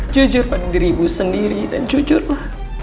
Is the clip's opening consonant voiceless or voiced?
voiced